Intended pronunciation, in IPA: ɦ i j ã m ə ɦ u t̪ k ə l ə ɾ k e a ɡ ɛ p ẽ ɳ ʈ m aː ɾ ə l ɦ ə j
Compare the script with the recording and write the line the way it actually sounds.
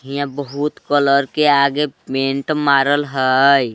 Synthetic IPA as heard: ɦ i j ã b ə ɦ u t̪ k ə l ə ɾ k e a ɡ e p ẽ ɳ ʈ m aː ɾ ə l ɦ ə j